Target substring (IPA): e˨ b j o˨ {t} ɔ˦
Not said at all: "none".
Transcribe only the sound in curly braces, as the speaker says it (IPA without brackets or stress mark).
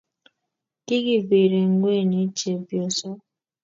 s